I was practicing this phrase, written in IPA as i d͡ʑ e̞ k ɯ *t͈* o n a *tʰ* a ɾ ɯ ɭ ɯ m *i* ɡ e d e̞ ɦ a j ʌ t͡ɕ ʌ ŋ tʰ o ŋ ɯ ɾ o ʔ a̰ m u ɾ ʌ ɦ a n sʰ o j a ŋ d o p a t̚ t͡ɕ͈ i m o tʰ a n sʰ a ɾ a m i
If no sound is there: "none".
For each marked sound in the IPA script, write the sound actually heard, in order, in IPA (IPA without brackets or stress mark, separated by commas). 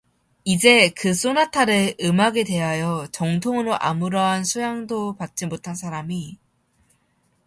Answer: s͈, tʰ, a